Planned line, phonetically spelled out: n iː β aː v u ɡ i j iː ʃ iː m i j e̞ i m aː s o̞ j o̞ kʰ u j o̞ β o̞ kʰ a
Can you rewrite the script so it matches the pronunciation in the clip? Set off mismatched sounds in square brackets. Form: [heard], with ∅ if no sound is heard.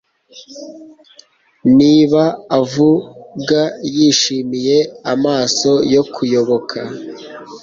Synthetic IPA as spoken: n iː β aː v u ɡ [a] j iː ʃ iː m i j e̞ [a] m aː s o̞ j o̞ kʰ u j o̞ β o̞ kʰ a